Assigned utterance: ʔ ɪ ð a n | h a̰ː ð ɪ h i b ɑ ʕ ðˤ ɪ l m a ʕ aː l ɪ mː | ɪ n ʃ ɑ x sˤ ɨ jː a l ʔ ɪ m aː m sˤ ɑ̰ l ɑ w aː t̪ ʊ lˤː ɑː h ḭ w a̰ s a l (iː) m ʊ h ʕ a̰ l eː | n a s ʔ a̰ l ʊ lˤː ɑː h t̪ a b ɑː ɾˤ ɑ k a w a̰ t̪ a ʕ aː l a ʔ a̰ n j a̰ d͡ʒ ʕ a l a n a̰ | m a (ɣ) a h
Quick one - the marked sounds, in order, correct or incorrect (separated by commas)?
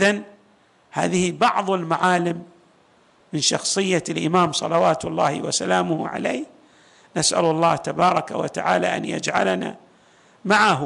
incorrect, incorrect